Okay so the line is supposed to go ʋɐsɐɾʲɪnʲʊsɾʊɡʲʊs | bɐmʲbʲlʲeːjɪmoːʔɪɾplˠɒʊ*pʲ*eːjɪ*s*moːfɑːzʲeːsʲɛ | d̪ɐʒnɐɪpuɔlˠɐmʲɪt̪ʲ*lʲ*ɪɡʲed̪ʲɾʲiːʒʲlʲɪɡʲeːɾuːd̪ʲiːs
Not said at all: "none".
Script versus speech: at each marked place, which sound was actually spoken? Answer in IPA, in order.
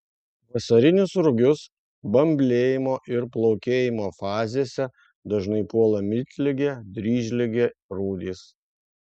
kʲ, none, lʲ

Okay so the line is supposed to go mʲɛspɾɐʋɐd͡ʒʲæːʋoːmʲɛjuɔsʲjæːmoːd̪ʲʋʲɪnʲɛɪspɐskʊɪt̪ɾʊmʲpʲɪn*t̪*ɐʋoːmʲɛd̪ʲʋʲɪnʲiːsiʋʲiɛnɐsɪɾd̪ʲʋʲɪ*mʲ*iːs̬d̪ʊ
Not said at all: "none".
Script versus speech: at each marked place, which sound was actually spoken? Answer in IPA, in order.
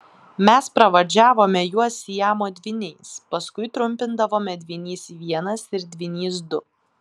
d̪, nʲ

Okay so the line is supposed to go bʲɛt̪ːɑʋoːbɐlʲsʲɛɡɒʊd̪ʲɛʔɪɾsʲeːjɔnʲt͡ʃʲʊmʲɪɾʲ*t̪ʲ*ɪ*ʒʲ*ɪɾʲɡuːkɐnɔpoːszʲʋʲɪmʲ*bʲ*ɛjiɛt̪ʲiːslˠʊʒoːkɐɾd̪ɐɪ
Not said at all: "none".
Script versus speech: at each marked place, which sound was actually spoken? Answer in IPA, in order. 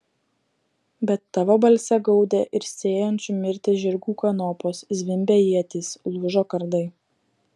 t̪ʲ, ʒʲ, bʲ

